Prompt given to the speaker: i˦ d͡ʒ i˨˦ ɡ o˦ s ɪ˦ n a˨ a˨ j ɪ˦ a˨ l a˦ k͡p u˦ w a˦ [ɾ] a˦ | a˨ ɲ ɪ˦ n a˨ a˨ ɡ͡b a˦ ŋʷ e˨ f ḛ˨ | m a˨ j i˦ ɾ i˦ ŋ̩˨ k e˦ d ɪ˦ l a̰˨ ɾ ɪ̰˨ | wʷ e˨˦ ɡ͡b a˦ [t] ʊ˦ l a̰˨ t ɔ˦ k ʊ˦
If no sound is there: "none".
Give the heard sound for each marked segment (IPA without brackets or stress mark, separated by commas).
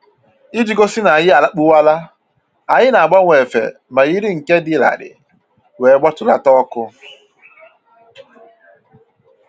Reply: l, t